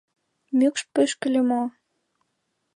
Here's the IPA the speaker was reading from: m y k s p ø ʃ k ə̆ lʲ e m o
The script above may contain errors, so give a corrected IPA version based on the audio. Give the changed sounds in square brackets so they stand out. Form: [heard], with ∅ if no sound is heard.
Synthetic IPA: m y k [ʃ] p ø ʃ k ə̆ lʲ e m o